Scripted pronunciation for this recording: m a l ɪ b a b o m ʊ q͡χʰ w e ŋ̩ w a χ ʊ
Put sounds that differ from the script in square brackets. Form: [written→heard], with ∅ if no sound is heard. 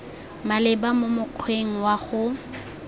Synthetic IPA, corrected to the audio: m a l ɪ b a [b→m] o m ʊ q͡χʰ w e ŋ̩ w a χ ʊ